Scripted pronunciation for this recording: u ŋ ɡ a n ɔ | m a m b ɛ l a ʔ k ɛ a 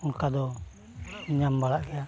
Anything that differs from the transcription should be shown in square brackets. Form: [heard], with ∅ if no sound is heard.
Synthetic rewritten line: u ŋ [k] a [d] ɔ | [ɲ] a m b [a] l a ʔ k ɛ a